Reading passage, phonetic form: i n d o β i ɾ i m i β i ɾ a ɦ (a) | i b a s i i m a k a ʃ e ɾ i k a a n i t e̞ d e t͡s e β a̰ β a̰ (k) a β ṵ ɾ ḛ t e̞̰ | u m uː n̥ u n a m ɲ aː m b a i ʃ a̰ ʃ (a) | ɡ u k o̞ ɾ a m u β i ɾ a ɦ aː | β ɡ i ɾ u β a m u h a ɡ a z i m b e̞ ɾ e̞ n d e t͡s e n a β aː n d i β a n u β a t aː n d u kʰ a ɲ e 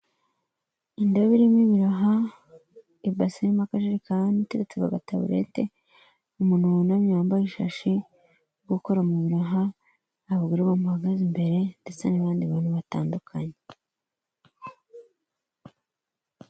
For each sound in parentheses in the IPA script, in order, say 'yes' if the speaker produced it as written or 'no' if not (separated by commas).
yes, no, no